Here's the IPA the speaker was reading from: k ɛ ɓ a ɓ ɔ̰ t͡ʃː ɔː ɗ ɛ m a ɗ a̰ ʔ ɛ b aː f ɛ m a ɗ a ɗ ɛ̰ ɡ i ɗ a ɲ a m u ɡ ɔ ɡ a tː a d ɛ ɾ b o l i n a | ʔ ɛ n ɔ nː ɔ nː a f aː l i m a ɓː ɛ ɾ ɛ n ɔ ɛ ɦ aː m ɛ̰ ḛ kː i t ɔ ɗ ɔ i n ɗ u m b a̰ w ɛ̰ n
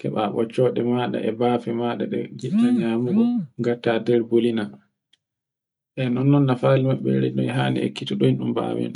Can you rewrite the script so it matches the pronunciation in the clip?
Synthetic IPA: k ɛ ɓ a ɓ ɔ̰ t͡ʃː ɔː ɗ ɛ m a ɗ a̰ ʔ ɛ b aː f ɛ m a ɗ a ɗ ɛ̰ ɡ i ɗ a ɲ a m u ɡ ɔ ɡ a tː a d ɛ ɾ b o l i n a | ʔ ɛ n ɔ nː ɔ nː a f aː l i m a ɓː ɛ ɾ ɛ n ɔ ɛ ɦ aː n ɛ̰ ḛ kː i t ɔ ɗ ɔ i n ɗ u m b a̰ w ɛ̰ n